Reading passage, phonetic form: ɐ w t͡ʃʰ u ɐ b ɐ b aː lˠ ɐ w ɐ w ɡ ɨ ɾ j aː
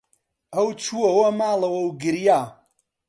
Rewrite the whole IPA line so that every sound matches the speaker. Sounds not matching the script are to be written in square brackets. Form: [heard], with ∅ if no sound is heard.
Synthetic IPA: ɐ w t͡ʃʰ u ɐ [w] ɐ [m] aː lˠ ɐ w ɐ w ɡ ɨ ɾ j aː